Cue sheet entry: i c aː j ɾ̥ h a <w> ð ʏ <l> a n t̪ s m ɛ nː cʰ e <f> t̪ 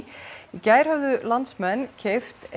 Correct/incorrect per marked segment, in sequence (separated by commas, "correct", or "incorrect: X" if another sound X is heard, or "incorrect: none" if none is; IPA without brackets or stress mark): incorrect: v, correct, correct